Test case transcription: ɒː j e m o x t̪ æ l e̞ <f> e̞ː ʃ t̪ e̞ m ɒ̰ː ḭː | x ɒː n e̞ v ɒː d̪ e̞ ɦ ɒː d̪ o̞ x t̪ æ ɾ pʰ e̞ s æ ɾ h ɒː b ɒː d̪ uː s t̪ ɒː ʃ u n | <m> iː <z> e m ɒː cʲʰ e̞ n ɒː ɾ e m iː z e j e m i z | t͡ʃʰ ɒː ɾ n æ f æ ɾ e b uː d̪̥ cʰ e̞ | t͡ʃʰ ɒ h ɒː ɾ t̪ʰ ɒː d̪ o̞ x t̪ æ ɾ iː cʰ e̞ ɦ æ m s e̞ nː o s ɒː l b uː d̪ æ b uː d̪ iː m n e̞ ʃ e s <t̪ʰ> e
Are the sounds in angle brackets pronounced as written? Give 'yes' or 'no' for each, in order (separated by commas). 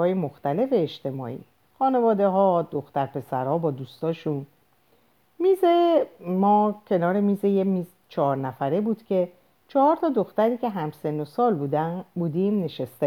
yes, yes, yes, no